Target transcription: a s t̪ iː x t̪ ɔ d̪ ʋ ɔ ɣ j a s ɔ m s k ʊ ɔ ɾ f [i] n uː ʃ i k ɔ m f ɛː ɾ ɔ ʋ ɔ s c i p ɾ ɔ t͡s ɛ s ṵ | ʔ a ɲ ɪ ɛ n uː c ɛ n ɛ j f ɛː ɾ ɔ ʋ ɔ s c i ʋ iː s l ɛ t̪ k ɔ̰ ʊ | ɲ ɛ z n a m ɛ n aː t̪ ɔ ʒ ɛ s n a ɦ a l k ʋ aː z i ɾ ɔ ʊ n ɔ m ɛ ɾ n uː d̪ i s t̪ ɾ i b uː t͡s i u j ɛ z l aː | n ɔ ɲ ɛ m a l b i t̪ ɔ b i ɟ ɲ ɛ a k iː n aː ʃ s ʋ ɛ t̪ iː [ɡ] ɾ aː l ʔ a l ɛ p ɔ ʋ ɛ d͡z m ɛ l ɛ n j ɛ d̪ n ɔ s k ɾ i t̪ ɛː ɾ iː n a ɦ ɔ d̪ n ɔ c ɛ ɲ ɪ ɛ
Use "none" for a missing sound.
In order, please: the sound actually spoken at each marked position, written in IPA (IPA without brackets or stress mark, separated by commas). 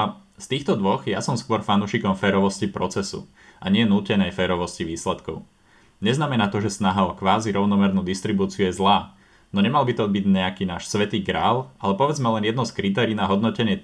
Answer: a, ɡ